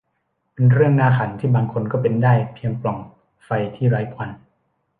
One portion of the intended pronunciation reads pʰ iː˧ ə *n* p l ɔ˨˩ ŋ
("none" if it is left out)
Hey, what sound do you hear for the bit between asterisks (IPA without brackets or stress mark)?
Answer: ŋ